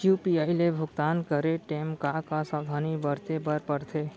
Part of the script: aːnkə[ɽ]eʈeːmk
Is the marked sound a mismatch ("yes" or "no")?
yes